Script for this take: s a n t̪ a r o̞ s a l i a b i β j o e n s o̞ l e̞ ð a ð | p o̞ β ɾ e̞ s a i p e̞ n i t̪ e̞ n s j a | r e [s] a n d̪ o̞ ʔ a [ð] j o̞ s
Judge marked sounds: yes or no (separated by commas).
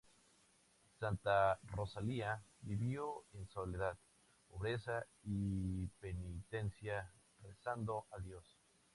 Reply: yes, yes